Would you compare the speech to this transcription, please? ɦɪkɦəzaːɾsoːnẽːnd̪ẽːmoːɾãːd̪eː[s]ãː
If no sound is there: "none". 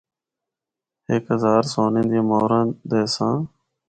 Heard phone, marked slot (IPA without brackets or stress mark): s